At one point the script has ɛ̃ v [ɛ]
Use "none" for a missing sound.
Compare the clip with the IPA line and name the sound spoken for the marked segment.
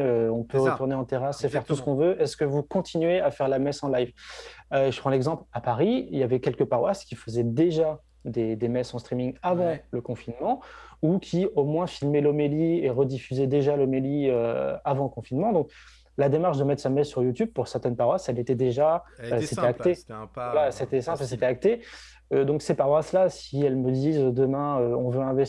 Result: ɛ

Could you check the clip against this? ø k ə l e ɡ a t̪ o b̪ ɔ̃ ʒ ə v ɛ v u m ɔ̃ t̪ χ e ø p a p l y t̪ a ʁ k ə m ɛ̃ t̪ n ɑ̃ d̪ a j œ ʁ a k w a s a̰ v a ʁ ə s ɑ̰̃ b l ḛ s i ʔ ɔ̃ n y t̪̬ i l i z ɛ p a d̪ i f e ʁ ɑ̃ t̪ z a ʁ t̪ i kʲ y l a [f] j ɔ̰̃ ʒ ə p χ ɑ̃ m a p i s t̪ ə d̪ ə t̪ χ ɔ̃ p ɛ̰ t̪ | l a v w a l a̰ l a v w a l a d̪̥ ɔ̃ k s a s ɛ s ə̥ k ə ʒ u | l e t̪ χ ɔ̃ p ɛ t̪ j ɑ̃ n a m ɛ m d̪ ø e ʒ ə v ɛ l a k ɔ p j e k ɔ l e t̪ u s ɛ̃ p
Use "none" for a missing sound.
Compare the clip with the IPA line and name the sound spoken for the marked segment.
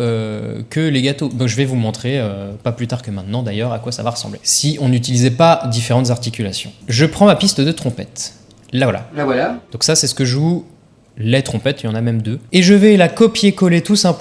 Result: s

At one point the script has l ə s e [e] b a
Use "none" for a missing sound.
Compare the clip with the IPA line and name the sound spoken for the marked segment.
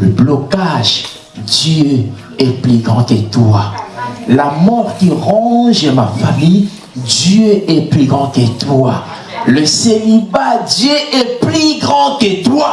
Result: i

